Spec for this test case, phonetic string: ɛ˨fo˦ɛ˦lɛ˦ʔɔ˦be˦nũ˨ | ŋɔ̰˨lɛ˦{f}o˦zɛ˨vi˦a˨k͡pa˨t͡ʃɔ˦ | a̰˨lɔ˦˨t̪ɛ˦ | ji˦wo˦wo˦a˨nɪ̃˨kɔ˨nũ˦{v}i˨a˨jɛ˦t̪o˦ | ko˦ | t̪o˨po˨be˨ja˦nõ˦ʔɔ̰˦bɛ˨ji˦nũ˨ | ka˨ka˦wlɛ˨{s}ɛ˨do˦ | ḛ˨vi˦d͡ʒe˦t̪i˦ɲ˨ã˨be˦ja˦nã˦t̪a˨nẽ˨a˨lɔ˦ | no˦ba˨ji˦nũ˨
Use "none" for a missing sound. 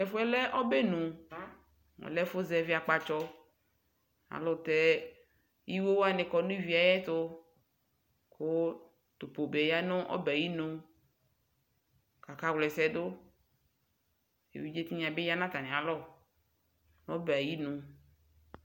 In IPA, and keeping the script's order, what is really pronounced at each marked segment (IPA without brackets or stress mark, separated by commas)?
f, v, s